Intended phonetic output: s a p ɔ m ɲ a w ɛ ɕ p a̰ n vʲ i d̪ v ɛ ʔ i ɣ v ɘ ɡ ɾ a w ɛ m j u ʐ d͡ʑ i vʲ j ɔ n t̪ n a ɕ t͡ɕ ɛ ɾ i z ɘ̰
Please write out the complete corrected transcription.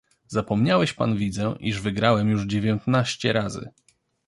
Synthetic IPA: z a p ɔ m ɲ a w ɛ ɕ p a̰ n vʲ i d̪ z ɛ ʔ i ʐ v ɘ ɡ ɾ a w ɛ m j u ʐ d͡ʑ e vʲ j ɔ n t̪ n a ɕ t͡ɕ ɛ ɾ a z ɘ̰